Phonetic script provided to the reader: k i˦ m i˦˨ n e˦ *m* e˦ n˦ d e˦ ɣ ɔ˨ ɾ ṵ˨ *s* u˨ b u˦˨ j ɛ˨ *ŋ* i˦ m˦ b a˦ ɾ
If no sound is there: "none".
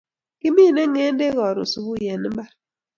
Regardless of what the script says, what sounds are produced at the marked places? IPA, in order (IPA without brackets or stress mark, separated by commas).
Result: ŋ, s, n